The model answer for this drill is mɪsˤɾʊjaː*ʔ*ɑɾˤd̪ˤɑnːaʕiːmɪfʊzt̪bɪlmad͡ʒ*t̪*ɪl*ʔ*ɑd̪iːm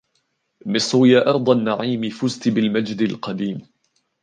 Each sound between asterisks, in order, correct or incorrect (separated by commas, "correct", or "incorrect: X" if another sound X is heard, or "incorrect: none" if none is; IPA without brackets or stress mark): correct, incorrect: d̪, incorrect: q